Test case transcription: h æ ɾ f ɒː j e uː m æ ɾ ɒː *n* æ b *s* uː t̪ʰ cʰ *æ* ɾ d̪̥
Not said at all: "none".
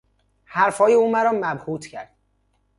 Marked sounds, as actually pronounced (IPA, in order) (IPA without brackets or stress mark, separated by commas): m, h, æ